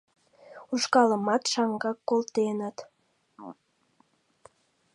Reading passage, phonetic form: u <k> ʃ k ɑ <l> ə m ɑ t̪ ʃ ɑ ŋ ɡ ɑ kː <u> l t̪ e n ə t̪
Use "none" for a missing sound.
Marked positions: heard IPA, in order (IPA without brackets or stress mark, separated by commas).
none, l, o